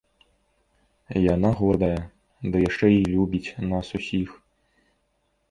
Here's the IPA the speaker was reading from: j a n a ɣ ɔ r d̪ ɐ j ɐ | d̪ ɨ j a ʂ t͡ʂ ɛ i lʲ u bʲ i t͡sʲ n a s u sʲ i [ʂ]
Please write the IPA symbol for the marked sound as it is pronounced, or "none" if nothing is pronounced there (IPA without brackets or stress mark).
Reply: x